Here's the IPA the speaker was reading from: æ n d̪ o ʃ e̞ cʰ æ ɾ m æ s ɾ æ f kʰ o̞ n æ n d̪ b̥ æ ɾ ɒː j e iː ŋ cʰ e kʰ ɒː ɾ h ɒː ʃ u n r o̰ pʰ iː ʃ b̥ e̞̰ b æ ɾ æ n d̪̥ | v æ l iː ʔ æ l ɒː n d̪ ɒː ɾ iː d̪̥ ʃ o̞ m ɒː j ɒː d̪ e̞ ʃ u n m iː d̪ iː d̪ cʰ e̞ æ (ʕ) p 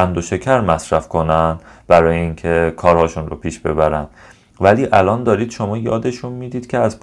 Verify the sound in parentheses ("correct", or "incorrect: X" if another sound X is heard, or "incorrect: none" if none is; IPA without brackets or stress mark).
incorrect: z